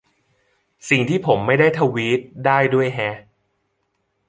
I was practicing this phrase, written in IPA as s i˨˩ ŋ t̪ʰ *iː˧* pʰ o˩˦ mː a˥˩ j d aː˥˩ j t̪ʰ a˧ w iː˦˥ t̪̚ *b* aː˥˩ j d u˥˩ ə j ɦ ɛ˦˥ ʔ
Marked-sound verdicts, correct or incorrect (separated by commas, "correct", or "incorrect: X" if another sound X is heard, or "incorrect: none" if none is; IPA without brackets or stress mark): incorrect: iː˥˩, incorrect: d